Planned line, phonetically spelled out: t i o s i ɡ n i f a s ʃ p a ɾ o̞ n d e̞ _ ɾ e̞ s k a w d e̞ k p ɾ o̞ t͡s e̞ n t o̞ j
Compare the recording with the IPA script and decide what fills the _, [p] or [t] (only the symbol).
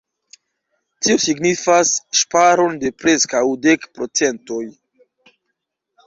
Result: p